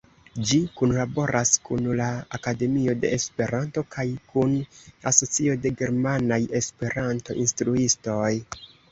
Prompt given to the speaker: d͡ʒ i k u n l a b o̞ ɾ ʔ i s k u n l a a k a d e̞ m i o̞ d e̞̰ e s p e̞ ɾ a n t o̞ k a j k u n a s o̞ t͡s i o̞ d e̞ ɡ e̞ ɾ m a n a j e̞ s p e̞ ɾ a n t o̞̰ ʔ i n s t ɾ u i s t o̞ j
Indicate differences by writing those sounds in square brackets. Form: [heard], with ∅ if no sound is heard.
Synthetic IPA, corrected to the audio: d͡ʒ i k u n l a b o̞ ɾ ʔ [a] s k u n l a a k a d e̞ m i o̞ d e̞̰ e s p e̞ ɾ a n t o̞ k a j k u n a s o̞ t͡s i o̞ d e̞ ɡ e̞ ɾ m a n a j e̞ s p e̞ ɾ a n t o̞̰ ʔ i n s t ɾ u i s t o̞ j